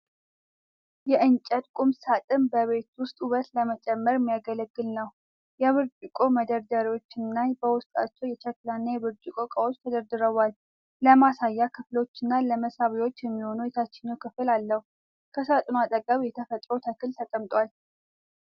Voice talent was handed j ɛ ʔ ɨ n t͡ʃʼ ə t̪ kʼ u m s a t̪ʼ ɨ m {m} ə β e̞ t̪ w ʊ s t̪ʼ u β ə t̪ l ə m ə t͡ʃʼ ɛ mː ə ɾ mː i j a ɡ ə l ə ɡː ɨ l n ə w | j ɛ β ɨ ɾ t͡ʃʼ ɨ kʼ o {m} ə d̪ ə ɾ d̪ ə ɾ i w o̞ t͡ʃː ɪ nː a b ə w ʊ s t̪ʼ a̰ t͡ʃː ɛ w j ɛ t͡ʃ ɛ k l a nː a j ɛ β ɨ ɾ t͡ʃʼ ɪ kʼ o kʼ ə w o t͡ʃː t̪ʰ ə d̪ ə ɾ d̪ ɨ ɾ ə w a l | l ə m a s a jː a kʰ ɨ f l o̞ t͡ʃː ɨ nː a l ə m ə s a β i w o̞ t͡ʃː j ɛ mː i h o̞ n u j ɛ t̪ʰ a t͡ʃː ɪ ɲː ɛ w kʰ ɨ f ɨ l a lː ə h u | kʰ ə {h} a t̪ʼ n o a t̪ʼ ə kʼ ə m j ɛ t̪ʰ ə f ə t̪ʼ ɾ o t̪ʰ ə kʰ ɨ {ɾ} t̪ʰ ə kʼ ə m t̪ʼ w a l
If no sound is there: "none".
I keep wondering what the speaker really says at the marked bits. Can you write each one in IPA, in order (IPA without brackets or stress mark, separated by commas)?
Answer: b, m, s, l